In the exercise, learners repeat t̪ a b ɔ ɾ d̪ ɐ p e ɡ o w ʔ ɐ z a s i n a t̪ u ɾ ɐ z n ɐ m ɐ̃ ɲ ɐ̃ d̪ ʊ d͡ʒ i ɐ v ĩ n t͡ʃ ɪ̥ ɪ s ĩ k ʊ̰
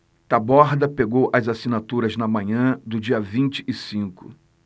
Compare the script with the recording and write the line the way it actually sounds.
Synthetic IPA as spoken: t̪ a b ɔ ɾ d̪ ɐ p e ɡ o w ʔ ɐ z a s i n a t̪ u ɾ ɐ z n ɐ m ɐ̃ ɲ ɐ̃ d̪ ʊ d͡ʒ i ɐ v ĩ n t͡ʃ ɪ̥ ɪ s ĩ k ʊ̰

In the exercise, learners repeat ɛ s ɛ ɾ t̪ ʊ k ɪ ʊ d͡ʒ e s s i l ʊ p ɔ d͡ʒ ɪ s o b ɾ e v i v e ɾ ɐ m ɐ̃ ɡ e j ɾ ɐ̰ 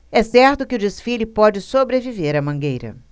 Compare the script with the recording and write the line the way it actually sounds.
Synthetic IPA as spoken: ɛ s ɛ ɾ t̪ ʊ k ɪ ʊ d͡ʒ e s f i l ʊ p ɔ d͡ʒ ɪ s o b ɾ e v i v e ɾ ɐ m ɐ̃ ɡ e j ɾ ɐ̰

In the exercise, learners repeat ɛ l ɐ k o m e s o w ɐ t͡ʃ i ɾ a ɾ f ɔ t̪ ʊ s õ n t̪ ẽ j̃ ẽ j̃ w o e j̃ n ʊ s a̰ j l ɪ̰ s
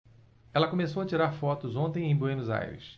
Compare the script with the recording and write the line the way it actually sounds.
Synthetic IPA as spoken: ɛ l ɐ k o m e s o w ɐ t͡ʃ i ɾ a ɾ f ɔ t̪ ʊ z õ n t̪ ẽ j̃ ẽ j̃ b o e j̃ n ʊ z a̰ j ɾ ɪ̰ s

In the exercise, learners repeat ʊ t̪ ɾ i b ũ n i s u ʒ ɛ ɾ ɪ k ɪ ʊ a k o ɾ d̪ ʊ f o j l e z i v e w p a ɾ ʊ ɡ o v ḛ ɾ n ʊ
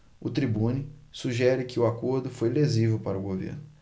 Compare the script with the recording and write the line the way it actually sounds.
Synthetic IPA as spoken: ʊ t̪ ɾ i b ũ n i s u ʒ ɛ ɾ ɪ k ɪ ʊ a k o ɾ d̪ ʊ f o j l e z i v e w p a ɾ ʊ ɡ o v ḛ ɾ n ʊ

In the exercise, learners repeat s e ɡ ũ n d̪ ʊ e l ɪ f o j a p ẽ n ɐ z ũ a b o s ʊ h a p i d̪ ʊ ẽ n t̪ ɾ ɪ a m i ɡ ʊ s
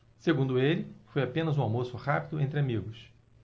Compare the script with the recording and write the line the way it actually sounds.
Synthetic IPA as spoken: s e ɡ ũ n d̪ ʊ e l ɪ f o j a p ẽ n ɐ z ũ a m o s ʊ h a p i d̪ ʊ ẽ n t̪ ɾ ɪ a m i ɡ ʊ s

